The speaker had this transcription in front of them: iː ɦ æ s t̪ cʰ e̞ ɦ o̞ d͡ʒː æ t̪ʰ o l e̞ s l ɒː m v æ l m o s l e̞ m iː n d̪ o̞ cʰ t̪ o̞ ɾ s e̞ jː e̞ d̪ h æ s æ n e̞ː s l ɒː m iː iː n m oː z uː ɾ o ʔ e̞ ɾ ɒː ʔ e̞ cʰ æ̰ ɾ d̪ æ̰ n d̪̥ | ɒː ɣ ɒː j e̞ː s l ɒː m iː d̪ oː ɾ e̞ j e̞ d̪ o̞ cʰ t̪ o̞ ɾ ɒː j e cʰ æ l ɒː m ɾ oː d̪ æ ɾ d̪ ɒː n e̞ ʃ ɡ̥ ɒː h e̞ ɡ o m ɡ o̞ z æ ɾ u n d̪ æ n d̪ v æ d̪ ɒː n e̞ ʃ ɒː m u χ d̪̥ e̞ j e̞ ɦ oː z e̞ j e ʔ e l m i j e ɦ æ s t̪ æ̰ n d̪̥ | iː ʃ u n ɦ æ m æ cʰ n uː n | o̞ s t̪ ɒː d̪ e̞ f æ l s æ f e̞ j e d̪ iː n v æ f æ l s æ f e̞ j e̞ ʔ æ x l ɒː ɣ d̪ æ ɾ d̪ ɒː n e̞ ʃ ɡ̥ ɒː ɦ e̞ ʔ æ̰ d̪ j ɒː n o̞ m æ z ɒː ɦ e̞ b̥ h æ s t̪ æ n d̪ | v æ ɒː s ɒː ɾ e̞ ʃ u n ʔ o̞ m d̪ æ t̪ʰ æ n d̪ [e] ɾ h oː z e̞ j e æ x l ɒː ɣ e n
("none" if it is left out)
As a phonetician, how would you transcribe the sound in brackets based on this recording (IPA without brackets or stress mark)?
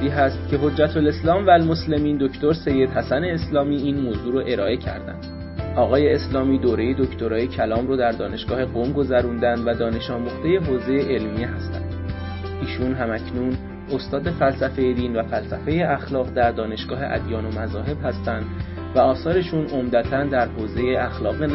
æ